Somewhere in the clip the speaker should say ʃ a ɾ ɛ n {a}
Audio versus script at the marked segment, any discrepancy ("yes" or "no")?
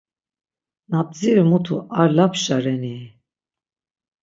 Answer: yes